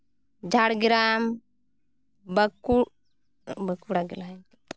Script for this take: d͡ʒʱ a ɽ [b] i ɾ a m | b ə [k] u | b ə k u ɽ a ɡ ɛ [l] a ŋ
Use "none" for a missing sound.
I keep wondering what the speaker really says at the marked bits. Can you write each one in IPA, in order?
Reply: ɡ, k, l

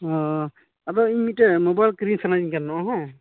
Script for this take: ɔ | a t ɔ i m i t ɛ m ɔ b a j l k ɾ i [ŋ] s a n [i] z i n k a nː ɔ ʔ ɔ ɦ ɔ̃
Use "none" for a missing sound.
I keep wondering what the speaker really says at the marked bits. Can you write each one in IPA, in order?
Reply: n, a

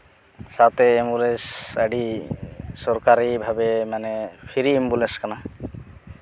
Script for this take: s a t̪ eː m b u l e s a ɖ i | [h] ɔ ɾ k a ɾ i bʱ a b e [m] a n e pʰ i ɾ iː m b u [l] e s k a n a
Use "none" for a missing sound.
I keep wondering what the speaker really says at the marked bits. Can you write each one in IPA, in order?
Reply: s, m, l

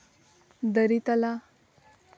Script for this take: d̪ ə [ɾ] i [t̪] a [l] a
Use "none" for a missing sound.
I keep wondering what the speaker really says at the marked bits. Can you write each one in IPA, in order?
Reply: ɾ, t̪, l

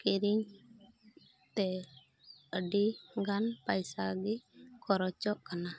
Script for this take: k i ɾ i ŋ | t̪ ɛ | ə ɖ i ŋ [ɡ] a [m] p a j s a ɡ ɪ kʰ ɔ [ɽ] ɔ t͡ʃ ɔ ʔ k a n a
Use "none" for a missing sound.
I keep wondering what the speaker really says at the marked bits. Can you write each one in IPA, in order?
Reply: ɡ, n, ɾ

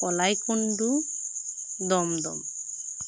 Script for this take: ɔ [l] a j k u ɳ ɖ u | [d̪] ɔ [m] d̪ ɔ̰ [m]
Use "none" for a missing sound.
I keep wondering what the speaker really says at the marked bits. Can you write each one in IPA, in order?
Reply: l, d̪, m, m

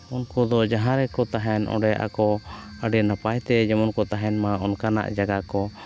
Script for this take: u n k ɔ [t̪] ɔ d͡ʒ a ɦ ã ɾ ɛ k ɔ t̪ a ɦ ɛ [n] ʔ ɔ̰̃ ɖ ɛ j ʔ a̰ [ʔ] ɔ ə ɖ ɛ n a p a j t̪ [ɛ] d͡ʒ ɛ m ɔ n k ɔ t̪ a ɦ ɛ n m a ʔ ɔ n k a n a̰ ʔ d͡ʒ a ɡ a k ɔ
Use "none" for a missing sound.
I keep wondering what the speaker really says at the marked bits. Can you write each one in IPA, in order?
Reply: d̪, n, k, ɛ

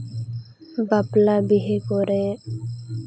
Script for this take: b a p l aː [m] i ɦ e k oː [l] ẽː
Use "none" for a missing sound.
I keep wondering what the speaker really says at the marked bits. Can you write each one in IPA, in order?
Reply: b, ɾ

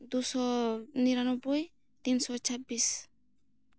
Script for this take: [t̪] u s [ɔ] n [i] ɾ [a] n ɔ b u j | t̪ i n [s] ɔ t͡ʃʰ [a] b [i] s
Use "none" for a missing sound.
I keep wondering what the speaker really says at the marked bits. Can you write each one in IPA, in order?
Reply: d̪, ɔ, i, a, s, a, i

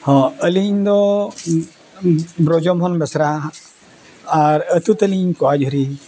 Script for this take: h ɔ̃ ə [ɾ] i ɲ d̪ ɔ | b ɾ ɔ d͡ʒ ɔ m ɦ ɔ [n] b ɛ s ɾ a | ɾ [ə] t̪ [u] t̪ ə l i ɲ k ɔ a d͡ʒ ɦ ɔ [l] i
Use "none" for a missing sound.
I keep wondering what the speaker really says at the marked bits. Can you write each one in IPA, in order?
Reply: l, n, ə, u, ɾ

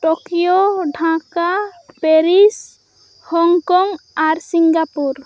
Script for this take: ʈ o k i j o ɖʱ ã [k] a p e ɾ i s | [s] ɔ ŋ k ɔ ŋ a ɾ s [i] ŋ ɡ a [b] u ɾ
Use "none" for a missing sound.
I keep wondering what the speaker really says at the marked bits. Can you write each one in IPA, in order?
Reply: k, h, i, p

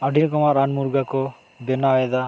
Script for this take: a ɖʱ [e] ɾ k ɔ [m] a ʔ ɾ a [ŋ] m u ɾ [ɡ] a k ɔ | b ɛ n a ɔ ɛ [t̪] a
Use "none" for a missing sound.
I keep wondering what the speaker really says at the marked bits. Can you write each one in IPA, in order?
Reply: i, m, n, ɡ, d̪

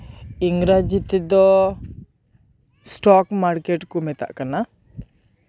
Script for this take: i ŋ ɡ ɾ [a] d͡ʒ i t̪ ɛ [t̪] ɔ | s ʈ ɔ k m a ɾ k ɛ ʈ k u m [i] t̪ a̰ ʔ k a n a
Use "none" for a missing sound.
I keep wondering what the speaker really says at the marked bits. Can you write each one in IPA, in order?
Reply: a, d̪, ɛ

